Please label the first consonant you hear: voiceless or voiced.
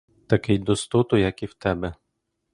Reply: voiceless